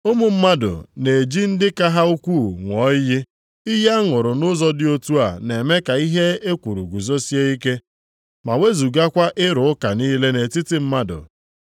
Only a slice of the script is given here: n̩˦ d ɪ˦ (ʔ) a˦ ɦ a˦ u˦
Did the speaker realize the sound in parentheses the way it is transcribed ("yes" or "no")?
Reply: no